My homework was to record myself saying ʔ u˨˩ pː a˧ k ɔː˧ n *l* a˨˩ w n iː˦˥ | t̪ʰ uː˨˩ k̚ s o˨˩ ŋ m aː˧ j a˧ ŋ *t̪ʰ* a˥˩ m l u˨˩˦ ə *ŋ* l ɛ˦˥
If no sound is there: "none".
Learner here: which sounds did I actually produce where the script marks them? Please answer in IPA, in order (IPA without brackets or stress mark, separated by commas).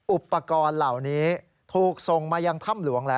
l, t̪ʰ, ŋ